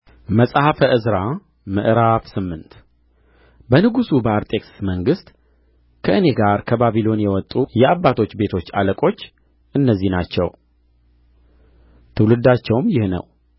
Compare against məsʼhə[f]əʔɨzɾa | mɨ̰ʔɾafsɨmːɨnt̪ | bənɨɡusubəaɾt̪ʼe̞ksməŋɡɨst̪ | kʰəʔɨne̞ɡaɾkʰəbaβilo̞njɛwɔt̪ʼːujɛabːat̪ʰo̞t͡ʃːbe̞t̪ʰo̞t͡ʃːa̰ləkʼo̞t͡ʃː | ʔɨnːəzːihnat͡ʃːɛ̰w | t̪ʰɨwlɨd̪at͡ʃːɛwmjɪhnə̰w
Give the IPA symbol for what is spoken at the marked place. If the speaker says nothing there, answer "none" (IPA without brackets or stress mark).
f